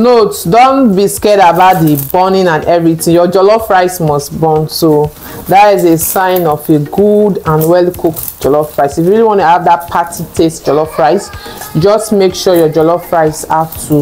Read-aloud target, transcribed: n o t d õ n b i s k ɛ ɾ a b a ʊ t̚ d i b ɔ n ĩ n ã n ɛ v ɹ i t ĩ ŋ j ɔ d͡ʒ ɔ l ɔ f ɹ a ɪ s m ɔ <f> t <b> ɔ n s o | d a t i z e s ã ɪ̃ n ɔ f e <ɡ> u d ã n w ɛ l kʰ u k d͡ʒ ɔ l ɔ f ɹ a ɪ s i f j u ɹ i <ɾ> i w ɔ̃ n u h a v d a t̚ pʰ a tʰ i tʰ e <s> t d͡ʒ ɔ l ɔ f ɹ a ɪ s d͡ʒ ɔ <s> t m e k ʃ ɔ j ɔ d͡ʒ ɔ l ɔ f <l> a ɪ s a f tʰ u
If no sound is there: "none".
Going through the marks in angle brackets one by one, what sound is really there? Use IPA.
s, b, ɡ, l, s, s, ɹ

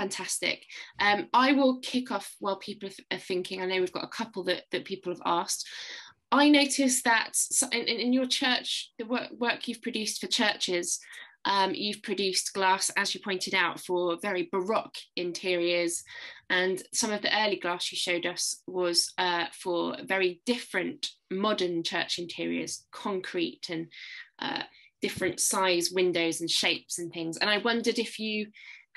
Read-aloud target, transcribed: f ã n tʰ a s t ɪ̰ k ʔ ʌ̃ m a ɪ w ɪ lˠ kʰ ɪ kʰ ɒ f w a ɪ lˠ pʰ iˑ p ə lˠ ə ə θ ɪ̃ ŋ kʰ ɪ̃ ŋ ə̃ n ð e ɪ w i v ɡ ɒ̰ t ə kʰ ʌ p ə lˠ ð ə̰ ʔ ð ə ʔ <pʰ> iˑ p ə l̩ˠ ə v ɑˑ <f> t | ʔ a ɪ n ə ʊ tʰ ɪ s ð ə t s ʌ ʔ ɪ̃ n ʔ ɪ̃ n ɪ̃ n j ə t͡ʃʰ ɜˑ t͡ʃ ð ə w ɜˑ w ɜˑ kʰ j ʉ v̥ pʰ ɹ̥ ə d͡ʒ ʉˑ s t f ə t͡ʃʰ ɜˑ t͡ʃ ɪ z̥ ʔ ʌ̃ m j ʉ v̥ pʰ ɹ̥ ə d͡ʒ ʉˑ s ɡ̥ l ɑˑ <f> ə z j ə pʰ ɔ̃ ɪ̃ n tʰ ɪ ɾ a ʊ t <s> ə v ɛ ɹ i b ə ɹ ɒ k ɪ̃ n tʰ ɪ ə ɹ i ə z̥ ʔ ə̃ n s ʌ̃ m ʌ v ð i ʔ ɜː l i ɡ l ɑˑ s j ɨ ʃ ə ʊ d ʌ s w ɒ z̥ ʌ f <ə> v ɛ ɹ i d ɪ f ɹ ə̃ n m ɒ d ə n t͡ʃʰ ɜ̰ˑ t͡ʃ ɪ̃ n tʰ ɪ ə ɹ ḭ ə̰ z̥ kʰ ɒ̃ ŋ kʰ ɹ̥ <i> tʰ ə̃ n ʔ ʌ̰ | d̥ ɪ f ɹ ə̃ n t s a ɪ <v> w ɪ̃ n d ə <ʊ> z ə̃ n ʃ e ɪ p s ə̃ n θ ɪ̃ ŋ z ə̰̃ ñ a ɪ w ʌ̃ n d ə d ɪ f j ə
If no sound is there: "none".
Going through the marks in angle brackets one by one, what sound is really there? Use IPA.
pʰ, s, s, f, ə, i, z, ʊ

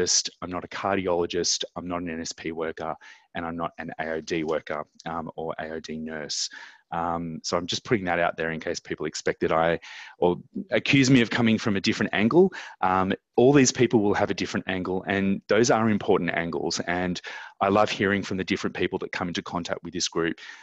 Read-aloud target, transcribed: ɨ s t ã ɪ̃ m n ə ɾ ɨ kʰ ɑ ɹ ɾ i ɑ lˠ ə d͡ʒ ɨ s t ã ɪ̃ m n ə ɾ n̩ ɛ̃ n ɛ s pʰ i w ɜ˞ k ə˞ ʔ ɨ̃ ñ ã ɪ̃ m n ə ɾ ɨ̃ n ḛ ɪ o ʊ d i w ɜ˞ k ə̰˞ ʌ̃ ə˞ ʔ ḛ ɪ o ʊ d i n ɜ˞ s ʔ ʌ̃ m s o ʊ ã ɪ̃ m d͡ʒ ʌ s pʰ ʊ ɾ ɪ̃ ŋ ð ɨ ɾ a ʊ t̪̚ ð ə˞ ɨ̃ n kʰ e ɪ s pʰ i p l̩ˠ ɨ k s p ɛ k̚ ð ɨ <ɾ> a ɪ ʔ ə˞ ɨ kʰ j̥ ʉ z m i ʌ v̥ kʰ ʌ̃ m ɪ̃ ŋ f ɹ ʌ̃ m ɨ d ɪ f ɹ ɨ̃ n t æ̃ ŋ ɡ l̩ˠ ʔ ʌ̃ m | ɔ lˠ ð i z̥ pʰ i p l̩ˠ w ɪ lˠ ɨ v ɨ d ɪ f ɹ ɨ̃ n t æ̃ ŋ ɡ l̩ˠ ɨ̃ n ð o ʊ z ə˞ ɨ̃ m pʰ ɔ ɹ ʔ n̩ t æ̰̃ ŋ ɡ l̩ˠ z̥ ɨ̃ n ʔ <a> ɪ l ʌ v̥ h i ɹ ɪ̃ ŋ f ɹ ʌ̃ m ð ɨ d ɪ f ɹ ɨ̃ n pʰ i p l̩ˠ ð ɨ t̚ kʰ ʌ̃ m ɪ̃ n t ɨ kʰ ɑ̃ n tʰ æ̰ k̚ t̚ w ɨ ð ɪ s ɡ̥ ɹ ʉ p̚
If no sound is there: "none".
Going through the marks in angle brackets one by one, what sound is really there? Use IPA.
ɾ, a

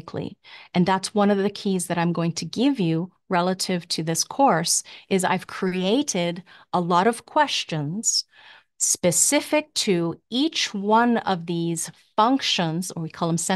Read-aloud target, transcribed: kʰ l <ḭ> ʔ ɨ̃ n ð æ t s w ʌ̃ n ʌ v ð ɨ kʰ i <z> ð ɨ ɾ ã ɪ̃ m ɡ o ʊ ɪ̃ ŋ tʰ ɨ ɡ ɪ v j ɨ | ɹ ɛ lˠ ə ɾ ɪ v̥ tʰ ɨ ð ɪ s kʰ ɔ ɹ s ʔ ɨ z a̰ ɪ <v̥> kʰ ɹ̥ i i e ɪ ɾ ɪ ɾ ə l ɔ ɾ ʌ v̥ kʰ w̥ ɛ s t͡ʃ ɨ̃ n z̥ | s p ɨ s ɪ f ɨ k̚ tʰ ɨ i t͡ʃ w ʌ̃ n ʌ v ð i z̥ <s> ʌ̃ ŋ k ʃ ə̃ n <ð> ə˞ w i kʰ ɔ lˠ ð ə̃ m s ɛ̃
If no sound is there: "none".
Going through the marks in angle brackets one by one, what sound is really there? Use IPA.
ḭ, z, v̥, f, z

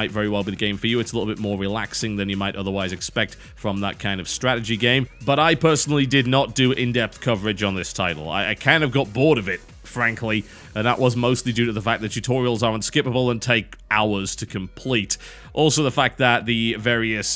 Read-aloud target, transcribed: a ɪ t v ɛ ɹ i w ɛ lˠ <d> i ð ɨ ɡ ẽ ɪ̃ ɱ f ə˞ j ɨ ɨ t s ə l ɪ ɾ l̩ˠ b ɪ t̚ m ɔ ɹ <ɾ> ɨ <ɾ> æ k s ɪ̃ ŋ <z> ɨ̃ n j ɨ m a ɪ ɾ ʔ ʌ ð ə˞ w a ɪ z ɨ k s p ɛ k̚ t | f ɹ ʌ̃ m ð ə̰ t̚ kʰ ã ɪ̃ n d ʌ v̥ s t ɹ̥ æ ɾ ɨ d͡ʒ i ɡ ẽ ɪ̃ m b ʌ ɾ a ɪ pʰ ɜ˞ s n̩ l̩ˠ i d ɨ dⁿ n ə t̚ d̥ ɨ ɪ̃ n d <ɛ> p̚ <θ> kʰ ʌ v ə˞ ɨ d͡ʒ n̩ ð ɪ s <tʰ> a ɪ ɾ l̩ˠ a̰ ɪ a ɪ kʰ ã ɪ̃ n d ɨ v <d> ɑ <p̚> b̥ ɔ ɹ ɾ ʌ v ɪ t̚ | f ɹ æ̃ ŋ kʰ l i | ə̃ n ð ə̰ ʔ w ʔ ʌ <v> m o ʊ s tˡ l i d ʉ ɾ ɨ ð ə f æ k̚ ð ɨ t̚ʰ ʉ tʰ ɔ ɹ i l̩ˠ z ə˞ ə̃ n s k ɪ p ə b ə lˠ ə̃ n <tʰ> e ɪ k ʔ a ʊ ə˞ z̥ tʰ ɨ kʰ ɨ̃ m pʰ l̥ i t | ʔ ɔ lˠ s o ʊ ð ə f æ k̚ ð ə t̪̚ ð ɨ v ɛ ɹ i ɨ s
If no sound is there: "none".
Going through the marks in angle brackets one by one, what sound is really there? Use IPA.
b, ɹ, l, ð, ɛ, θ, tʰ, ɡ, t̚, z, tʰ

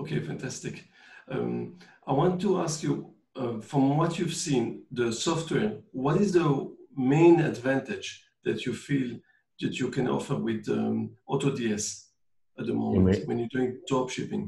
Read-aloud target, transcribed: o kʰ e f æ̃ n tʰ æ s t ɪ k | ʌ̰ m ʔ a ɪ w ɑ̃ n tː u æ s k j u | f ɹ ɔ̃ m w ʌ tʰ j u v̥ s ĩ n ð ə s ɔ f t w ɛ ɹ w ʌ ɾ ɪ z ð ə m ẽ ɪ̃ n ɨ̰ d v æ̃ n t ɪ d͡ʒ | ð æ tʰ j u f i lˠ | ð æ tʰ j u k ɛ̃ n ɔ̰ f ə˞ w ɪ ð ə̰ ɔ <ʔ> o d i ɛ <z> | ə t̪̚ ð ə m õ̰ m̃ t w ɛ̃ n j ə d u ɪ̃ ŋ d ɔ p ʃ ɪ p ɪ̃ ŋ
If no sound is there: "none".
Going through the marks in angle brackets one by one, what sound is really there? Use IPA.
t, s

